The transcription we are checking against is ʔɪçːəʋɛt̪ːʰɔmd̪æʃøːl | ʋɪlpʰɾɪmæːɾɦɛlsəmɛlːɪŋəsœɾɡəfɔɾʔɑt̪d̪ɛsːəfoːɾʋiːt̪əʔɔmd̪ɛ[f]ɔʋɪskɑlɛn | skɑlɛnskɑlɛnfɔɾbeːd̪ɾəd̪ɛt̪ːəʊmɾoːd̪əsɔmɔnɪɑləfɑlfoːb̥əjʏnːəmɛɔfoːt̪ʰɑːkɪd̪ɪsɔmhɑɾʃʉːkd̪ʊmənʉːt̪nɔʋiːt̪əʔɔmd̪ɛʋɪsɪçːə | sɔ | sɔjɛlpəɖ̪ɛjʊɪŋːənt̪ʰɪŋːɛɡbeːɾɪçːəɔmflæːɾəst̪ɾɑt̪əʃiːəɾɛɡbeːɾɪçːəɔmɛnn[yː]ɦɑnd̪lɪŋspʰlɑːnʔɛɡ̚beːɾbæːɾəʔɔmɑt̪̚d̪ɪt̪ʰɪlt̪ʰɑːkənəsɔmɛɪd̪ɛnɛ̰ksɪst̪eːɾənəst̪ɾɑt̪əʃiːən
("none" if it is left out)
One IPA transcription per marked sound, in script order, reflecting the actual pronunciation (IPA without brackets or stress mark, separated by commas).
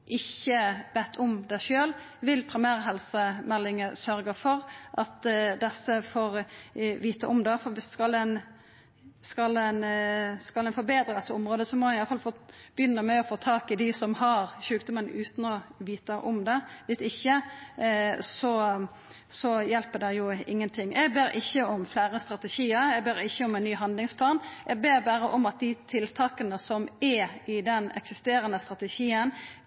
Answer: f, yː